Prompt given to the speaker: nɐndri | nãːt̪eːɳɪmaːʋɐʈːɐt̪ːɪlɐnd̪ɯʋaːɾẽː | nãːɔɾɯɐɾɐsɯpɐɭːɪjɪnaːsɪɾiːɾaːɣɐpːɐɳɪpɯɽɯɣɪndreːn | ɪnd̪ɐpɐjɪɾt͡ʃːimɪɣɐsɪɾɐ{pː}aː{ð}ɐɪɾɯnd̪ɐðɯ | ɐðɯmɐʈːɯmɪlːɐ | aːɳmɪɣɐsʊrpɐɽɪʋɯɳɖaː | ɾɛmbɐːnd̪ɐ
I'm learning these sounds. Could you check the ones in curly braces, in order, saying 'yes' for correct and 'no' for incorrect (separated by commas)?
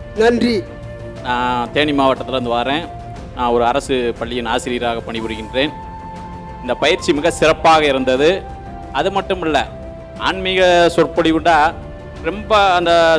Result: yes, no